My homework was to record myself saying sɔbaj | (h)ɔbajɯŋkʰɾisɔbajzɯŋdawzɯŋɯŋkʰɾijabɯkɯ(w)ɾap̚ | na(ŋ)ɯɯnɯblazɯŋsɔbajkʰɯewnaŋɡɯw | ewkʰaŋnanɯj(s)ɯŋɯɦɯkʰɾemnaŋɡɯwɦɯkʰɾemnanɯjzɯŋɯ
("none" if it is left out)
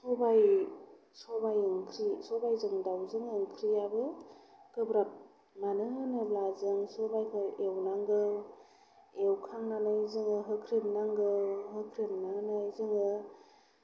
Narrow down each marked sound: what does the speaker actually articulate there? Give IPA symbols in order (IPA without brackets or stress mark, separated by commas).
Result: s, b, n, z